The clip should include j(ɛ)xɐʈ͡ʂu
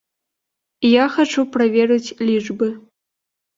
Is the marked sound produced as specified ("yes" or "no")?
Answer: no